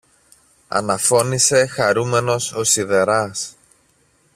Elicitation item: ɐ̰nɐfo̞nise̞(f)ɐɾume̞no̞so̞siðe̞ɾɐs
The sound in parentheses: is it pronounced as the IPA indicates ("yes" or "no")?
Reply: no